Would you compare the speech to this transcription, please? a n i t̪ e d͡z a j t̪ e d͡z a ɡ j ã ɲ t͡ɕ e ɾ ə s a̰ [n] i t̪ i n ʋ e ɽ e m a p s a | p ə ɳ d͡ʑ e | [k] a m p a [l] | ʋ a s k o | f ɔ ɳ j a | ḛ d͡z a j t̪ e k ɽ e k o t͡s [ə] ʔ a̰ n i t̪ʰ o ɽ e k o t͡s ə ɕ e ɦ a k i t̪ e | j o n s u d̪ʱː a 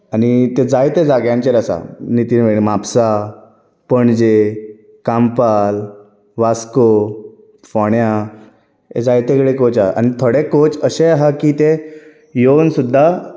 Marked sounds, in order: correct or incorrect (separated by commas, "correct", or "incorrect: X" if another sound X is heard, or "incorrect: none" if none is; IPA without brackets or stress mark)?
correct, correct, correct, incorrect: a